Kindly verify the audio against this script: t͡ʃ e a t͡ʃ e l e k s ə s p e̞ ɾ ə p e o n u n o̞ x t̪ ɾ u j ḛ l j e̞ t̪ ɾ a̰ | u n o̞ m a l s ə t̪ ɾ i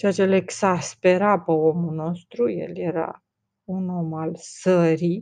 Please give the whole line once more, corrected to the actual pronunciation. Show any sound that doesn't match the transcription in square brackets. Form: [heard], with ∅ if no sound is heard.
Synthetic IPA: t͡ʃ e a t͡ʃ e l e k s [a] s p e̞ ɾ [a] p e o [m] u n o̞ [s] t̪ ɾ u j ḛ l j e̞ [∅] ɾ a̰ | u n o̞ m a l s ə [∅] ɾ i